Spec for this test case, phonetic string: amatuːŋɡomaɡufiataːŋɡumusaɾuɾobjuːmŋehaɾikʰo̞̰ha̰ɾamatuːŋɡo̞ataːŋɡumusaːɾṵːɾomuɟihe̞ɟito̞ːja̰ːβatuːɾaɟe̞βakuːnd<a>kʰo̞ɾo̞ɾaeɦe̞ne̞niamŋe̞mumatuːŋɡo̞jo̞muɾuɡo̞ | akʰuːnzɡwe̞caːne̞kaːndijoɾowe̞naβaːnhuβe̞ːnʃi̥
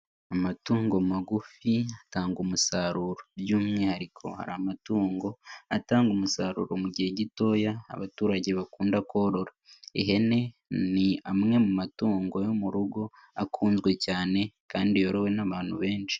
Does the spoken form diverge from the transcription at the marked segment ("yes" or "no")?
no